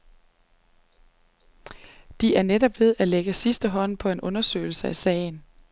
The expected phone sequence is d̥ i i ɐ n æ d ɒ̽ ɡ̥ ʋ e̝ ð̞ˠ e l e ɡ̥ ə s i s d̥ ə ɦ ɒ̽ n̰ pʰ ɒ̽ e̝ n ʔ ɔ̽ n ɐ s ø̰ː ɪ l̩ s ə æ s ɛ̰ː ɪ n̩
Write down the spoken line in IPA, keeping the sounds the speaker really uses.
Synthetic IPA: d̥ i æ ɐ n e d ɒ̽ b̥ ʋ e̝ ð̞ˠ æ l e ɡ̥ ə s i s d̥ ə ɦ ɒ̽ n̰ pʰ ɒ̽ e̝ n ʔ ɔ̽ n ɐ s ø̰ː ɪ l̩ s ə æ s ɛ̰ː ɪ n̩